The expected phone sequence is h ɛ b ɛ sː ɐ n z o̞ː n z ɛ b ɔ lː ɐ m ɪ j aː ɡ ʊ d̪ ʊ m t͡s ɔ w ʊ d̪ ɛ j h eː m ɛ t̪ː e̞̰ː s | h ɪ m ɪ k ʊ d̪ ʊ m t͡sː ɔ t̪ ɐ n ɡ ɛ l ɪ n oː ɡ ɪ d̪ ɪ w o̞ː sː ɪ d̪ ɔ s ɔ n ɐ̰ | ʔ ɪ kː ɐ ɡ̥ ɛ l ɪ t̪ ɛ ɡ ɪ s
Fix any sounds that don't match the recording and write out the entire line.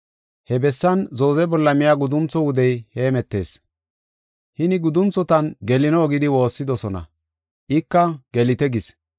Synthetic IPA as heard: h ɛ b ɛ sː ɐ n z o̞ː z ɛ b ɔ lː ɐ m ɪ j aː ɡ ʊ d̪ ʊ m t͡s ɔ w ʊ d̪ ɛ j h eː m ɛ t̪ː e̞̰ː s | h ɪ n ɪ ɡ ʊ d̪ ʊ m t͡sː ɔ t̪ ɐ n ɡ ɛ l ɪ n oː ɡ ɪ d̪ ɪ w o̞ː sː ɪ d̪ ɔ s ɔ n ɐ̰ | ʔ ɪ kː ɐ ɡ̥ ɛ l ɪ t̪ ɛ ɡ ɪ s